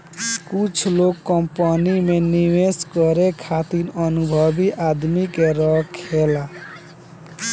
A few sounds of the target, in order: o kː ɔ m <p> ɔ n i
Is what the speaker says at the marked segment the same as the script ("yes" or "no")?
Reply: yes